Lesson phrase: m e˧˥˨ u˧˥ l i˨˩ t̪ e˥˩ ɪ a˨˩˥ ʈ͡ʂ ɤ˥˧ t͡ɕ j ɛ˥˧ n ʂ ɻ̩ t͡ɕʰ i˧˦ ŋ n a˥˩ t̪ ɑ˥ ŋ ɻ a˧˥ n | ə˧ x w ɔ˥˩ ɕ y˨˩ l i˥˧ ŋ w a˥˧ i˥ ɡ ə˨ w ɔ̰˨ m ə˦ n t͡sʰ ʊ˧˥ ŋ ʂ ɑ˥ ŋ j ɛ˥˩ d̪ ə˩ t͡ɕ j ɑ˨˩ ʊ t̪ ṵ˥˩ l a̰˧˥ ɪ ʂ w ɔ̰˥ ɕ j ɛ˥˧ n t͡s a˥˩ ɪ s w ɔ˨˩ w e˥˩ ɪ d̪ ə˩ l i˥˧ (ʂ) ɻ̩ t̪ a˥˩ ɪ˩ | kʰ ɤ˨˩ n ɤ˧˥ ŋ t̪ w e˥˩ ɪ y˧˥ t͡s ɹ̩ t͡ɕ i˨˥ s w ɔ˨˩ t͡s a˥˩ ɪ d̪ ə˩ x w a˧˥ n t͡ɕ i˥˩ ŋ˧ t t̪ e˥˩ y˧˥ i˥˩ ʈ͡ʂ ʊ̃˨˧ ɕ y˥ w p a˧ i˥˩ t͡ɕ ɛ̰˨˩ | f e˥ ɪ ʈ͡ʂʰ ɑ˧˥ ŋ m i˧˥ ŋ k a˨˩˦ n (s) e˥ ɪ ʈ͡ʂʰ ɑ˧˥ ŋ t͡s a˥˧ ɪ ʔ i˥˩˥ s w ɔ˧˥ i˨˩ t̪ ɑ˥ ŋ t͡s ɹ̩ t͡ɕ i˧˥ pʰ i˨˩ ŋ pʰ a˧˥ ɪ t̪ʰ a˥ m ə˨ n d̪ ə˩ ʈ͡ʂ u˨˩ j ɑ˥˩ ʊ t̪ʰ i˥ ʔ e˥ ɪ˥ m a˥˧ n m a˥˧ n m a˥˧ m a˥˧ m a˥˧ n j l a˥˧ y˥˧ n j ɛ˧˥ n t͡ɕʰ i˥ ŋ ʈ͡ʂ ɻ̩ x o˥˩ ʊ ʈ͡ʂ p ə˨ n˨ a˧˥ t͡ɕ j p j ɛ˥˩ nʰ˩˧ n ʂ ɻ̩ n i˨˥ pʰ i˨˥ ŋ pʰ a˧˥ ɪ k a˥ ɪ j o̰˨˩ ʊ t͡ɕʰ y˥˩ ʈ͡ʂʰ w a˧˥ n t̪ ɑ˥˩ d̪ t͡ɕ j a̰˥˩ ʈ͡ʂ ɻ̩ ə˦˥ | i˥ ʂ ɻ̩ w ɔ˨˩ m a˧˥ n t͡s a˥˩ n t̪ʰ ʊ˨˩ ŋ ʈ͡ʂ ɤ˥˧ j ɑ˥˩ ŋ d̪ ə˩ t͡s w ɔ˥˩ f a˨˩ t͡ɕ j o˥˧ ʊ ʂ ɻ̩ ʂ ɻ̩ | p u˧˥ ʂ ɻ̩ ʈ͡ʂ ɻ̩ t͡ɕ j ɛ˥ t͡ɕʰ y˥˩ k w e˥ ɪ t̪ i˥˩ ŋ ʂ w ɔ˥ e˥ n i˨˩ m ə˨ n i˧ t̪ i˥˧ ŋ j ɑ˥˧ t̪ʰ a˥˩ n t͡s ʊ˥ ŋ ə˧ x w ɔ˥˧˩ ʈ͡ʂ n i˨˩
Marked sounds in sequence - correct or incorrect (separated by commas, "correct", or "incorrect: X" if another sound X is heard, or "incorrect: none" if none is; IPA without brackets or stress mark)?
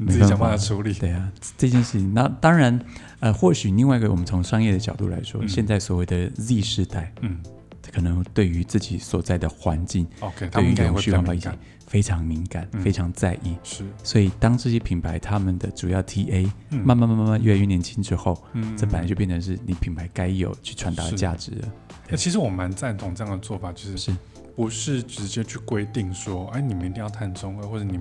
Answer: correct, incorrect: f